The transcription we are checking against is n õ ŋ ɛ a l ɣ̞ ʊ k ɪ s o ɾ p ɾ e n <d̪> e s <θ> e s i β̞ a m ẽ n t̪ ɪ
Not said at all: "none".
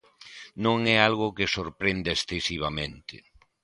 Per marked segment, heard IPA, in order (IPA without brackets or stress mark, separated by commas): d̪, θ